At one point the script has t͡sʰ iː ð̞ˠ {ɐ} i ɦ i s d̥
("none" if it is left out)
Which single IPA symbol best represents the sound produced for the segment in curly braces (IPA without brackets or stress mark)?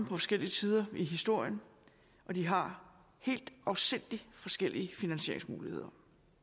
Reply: ɐ